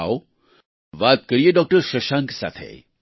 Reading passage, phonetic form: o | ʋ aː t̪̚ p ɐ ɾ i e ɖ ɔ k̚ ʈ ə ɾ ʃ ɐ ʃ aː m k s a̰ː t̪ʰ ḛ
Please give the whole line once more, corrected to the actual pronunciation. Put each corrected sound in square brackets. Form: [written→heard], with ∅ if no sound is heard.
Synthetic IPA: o | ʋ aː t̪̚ [p→k] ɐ ɾ i e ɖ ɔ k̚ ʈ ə ɾ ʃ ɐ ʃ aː [m→ŋ] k s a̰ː t̪ʰ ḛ